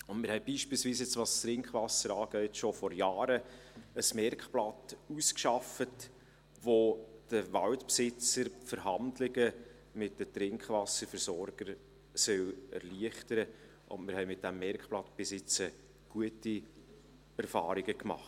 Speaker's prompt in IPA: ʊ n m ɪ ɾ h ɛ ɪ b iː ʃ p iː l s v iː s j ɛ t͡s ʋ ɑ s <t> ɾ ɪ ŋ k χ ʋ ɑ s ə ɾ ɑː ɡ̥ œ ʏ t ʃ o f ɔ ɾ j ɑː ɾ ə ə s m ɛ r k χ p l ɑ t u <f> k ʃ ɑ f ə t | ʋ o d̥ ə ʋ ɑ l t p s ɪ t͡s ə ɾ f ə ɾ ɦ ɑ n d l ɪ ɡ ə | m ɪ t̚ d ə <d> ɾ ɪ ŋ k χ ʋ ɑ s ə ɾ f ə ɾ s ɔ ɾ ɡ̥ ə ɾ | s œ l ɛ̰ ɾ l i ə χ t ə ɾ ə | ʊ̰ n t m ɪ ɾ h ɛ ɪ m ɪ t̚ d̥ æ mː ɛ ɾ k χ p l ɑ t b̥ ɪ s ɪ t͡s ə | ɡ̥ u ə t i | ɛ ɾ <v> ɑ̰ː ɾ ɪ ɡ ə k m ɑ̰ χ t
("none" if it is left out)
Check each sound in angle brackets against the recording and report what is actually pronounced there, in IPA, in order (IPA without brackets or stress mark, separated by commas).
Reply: t, s, t, f